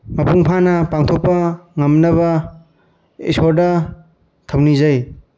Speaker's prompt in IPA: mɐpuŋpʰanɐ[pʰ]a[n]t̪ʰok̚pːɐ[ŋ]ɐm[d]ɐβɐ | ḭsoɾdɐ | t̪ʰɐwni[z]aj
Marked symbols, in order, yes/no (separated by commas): no, no, yes, no, yes